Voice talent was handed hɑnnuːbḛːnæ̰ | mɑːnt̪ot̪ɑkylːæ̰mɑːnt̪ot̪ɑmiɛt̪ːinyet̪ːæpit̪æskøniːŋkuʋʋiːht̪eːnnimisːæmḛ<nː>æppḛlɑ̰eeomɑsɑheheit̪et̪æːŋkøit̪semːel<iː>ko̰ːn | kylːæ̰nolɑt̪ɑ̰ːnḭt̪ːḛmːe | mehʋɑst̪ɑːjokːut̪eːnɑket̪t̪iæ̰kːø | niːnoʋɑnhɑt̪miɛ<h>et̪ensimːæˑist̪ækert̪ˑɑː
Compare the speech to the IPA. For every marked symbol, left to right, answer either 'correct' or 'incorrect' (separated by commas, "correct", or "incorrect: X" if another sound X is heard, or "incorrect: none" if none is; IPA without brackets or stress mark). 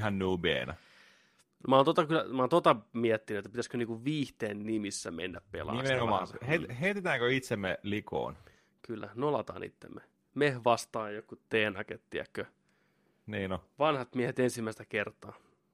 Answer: correct, incorrect: i, correct